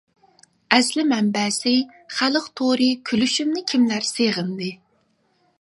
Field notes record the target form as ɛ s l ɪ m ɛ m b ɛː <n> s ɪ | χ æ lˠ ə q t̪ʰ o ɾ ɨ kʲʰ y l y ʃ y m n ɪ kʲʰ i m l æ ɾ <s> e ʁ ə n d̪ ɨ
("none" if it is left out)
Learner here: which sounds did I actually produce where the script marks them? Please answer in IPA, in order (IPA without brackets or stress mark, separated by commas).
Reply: none, s